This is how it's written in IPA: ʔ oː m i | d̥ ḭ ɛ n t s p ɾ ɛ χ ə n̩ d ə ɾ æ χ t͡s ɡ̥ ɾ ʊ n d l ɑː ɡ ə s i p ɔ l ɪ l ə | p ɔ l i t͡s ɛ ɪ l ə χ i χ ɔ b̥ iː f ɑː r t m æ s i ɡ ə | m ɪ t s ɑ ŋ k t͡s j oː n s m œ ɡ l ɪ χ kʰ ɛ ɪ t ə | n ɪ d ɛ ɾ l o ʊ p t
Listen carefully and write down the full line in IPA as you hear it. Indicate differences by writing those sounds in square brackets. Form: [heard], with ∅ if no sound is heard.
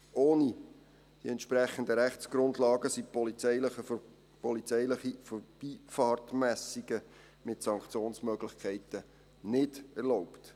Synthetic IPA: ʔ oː [n] i | d̥ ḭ ɛ n t [ʃ] p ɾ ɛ χ ə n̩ d ə ɾ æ χ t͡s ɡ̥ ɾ ʊ n d l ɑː ɡ ə s i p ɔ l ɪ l ə | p ɔ l i t͡s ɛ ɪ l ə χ i [f] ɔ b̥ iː f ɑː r t m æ s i ɡ ə | m ɪ t s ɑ ŋ k t͡s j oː n s m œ ɡ l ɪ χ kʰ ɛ ɪ t ə | n ɪ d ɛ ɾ l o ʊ p t

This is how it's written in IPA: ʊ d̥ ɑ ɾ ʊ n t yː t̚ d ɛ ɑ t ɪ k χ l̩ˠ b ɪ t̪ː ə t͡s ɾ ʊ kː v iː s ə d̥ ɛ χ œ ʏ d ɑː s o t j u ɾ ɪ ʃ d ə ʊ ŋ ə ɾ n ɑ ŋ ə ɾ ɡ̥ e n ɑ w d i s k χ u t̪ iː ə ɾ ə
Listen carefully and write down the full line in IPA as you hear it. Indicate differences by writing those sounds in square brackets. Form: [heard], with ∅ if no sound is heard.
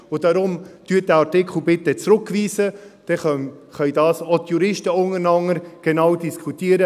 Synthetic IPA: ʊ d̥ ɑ ɾ ʊ [m] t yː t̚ d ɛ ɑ t ɪ k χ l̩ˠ b ɪ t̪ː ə t͡s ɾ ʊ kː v iː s ə d̥ ɛ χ œ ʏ d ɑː s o t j u ɾ ɪ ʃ [t] ə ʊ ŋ ə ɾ n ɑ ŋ ə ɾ ɡ̥ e n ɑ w d i s k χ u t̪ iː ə ɾ ə

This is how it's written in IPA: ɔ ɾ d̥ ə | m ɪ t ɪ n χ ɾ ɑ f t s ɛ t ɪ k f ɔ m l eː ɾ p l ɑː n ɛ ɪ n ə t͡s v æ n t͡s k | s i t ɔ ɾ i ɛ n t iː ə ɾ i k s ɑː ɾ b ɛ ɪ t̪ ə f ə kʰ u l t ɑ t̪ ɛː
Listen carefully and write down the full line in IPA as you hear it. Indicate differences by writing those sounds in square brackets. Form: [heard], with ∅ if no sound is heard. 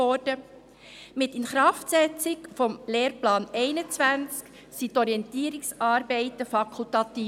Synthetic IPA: ɔ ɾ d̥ ə | m ɪ t ɪ n χ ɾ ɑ f t s ɛ [t͡s] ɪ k f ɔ m l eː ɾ p l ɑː n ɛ ɪ n ə t͡s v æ n t͡s k | s i t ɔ ɾ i ɛ n t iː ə ɾ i k s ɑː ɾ b ɛ ɪ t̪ ə f [ɑ] kʰ u l t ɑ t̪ [iː]

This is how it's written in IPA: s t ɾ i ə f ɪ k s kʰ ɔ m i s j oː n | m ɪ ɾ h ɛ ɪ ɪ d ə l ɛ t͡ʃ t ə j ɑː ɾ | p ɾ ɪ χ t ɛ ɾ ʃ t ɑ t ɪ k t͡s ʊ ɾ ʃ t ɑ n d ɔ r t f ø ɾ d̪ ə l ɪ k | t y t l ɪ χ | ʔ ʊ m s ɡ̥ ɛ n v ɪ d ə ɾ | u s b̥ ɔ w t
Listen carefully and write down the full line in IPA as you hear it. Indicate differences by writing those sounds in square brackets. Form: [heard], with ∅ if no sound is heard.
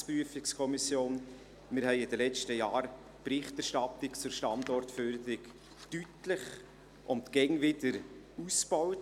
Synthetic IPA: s [p] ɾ [y] ə f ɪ k s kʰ ɔ m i s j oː n | m ɪ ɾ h ɛ ɪ ɪ d ə l ɛ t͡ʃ t ə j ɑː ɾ | p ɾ ɪ χ t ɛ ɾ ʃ t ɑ t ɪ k t͡s ʊ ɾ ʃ t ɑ n d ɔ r t f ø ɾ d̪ ə [ɾ] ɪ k | t y t l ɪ χ | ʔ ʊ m [t] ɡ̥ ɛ [ŋ] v ɪ d ə ɾ | u s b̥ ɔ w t

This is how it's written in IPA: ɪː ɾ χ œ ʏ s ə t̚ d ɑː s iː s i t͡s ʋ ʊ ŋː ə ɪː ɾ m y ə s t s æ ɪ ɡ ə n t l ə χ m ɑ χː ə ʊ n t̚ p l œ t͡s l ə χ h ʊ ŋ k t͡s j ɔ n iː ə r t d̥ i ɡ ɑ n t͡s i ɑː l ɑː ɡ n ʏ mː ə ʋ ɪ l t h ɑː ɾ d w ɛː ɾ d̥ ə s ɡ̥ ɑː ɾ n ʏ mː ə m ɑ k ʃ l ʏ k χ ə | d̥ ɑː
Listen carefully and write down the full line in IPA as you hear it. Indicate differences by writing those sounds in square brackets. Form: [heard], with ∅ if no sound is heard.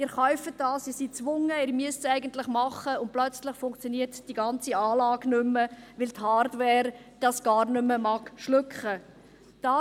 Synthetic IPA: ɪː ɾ χ œ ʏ [f] ə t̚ d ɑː s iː s i t͡s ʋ ʊ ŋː ə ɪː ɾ m y ə s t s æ ɪ ɡ ə n t l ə χ m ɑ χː ə ʊ n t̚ p l œ t͡s l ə χ [f] ʊ ŋ k t͡s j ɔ n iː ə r t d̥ i ɡ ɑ n t͡s i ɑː l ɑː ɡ n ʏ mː ə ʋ ɪ l t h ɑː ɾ d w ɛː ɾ d̥ [ɑ] s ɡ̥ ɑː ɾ n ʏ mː ə m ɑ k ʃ l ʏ k χ ə | d̥ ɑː

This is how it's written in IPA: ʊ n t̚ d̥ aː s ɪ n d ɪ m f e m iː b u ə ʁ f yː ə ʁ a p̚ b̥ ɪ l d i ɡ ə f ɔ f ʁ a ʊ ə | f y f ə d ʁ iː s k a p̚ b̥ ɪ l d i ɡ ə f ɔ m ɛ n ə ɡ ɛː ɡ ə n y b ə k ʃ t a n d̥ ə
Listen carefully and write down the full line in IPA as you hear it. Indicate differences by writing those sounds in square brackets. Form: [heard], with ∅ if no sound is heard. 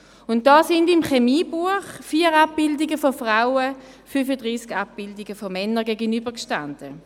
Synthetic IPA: ʊ n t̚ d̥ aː s ɪ n d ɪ m [χ] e m iː b u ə [χ] f [iː] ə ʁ a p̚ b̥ ɪ l d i ɡ ə f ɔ f ʁ a ʊ ə | f y f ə d ʁ iː s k a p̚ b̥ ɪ l d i ɡ ə f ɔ m ɛ n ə ɡ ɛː ɡ ə n y b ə k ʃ t a n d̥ ə

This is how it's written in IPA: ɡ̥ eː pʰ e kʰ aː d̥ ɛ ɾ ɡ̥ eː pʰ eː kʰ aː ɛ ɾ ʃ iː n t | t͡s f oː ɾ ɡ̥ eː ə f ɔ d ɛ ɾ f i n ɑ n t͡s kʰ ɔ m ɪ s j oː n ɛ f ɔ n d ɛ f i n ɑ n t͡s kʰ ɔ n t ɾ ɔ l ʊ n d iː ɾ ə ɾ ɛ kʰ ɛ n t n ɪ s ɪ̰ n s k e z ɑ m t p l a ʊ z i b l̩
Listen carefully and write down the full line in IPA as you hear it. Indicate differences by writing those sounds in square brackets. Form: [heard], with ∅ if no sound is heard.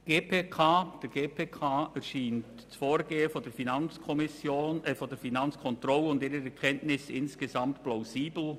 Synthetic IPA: ɡ̥ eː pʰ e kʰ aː d̥ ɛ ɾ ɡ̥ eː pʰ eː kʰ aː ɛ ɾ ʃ iː n t | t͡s f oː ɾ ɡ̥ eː ə f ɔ d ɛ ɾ f i n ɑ n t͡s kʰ ɔ m ɪ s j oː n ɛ f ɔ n d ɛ f i n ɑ n t͡s kʰ ɔ n t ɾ ɔ l ʊ n d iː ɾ ə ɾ ɛ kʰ ɛ n t n ɪ s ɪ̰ n s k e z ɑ m t p l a ʊ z [iː] b l̩

